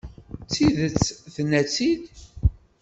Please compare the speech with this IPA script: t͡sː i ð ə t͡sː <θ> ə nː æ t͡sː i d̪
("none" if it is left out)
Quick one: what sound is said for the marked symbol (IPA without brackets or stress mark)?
θ